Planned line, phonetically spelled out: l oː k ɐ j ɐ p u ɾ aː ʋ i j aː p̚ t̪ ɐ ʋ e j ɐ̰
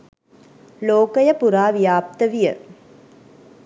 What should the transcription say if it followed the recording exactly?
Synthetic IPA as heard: l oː k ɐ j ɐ p u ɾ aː ʋ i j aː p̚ t̪ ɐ ʋ i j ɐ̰